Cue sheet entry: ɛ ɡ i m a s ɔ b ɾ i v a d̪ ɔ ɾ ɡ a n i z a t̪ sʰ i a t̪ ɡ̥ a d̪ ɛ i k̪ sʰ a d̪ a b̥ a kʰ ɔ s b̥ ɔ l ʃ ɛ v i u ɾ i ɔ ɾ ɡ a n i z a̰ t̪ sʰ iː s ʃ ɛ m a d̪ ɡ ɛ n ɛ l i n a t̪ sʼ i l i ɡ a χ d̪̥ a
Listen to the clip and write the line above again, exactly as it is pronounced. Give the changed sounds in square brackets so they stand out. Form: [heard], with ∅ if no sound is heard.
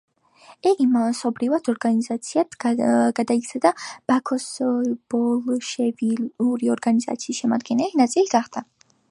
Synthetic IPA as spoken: ɛ ɡ i m a s ɔ b ɾ i v a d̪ ɔ ɾ ɡ a n i z a t̪ sʰ i a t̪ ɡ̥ a d̪ [a] i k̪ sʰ a d̪ a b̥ a kʰ ɔ s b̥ ɔ l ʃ ɛ v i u ɾ i ɔ ɾ ɡ a n i z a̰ t̪ sʰ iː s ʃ ɛ m a d̪ ɡ ɛ n ɛ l i n a t̪ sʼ i l i ɡ a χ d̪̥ a